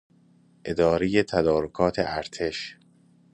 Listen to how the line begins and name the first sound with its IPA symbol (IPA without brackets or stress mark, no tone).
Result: ʔ